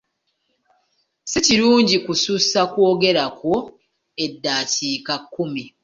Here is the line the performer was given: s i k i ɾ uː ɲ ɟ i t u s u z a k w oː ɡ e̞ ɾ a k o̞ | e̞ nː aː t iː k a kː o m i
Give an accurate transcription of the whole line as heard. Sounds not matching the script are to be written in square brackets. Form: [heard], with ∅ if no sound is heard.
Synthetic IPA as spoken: s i [c] i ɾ uː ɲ ɟ i [k] u s u [s] a k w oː ɡ e̞ ɾ a k o̞ | e̞ [dː] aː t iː k a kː [u] m i